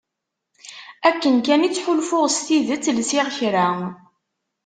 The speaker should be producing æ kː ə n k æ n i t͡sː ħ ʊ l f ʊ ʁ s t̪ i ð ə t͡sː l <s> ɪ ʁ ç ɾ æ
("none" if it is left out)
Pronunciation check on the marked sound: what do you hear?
s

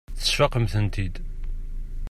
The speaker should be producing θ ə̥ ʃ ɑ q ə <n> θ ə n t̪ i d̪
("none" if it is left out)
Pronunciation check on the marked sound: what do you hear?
m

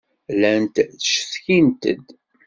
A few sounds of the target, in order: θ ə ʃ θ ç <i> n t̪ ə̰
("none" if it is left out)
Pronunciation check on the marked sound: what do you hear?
i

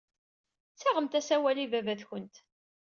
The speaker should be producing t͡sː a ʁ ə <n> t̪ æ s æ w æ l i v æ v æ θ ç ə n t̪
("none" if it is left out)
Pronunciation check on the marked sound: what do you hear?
m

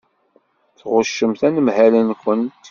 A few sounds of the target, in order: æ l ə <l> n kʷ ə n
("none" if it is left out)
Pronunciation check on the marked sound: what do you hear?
none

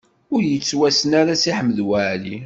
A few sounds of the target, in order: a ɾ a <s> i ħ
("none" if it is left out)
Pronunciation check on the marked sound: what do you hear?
s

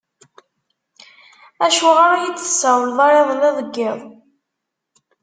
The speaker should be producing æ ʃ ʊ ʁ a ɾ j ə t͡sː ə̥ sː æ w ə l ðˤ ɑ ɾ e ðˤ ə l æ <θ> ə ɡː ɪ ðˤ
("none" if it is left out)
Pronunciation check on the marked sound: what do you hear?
ð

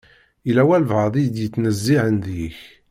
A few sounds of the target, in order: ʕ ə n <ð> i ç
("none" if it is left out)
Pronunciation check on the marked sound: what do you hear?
ð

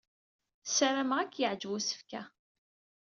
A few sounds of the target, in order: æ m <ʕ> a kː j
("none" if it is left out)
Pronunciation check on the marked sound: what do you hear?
ʁ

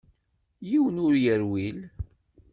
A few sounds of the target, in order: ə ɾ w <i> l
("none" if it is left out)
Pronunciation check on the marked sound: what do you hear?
i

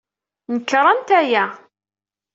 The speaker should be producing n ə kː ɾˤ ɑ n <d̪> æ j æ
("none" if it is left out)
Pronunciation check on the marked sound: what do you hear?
t̪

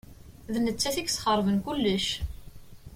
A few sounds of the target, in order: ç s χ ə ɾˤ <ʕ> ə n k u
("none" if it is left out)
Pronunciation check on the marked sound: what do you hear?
v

